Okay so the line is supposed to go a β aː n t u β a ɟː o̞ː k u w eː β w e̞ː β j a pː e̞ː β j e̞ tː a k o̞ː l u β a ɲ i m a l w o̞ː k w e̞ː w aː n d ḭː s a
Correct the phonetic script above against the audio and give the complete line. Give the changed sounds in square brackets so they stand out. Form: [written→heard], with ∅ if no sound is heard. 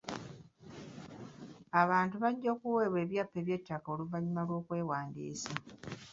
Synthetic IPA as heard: a β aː n t u β a ɟː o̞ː k u w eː β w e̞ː β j a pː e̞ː β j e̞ tː a k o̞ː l u [β→v] a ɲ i m a l w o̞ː k w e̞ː w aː n d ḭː s a